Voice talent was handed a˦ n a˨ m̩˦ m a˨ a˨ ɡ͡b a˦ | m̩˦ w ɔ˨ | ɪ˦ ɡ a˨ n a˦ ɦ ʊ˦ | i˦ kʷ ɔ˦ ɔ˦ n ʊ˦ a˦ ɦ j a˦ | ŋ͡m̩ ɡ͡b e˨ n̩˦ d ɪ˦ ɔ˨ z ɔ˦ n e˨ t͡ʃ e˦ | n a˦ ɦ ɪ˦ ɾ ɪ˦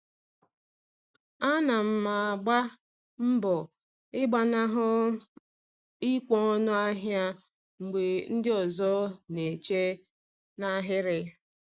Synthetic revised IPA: a˦ n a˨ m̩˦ m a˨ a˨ ɡ͡b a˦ | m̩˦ b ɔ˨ | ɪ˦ ɡ͡b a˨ n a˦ ɦ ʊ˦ | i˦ kʷ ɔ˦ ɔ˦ n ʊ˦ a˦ ɦ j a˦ | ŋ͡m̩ ɡ͡b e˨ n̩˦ d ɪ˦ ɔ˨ z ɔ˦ n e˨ t͡ʃ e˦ | n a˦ ɦ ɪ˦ ɾ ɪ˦